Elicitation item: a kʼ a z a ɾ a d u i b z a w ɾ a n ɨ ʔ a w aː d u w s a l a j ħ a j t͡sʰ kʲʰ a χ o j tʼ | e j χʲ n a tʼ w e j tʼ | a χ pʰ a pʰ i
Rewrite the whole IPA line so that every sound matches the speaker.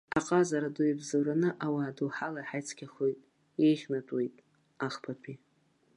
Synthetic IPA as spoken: a qʼ a z a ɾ a d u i b z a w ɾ a n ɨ ʔ a w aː d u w ħ a l a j ħ a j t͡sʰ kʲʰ a χ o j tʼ | e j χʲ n a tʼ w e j tʼ | a χ pʰ a pʰ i

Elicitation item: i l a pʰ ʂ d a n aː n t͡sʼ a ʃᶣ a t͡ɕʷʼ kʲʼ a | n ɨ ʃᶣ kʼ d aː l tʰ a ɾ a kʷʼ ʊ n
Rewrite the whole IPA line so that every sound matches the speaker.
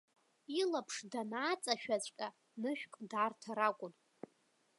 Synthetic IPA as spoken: i l a pʰ ʂ d a n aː t͡sʼ a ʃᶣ a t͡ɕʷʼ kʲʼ a | n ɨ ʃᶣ kʼ d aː r tʰ a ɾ a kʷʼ ʊ n

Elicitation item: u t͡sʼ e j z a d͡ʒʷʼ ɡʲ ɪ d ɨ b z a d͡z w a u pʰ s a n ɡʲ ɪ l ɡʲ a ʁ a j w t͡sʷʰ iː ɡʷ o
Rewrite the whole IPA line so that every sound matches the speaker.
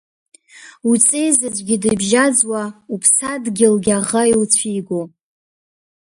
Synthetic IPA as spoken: u t͡sʼ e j z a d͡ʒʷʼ ɡʲ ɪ d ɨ b ʒ a d͡z w a u pʰ s a d ɡʲ ɪ l ɡʲ a ʁ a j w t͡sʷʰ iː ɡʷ o

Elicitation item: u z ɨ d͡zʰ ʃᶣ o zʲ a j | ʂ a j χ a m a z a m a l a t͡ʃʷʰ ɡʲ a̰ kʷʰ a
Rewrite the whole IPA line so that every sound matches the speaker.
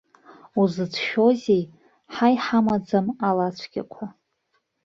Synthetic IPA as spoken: u z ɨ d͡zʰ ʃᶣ o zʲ e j | ħ a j ħ a m a d͡z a m a l a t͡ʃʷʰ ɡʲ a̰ kʷʰ a

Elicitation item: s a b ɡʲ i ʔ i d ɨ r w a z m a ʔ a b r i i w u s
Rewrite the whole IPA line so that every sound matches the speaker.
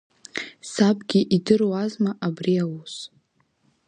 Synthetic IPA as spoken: s a b ɡʲ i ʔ i d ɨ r w a z m a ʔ a b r i a w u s

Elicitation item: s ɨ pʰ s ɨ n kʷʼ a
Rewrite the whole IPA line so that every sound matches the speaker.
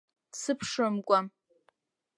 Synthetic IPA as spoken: s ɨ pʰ ʂ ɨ m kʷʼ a

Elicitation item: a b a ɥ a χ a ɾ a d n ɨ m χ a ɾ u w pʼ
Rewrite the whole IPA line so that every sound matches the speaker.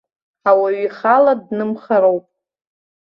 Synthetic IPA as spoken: a w a ɥ i χ a l a d n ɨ m χ a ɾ o w pʼ

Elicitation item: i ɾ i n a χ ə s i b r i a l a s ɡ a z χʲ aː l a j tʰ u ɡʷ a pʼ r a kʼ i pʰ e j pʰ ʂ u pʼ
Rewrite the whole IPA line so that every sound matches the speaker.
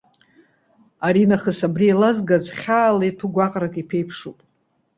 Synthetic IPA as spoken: a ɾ i n a χ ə s a b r i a l a z ɡ a z χʲ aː l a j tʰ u ɡʷ a qʼ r a kʼ i pʰ e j pʰ ʂ u pʼ

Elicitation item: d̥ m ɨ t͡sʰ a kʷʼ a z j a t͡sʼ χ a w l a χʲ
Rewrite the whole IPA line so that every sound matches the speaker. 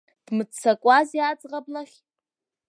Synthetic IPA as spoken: d̥ m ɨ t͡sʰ a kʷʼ a z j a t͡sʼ ʁ a b l a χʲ

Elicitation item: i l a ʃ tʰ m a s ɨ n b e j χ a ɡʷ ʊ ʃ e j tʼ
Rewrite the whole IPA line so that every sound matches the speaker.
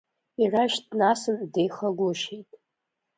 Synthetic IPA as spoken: i r a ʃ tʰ n a s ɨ n d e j χ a ɡʷ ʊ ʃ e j tʼ

